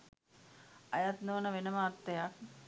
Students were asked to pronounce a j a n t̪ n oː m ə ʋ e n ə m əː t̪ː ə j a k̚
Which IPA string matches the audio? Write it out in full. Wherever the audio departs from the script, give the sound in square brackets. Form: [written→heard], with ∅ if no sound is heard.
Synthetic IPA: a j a [n→∅] t̪ n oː [m→n] ə ʋ e n ə m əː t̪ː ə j a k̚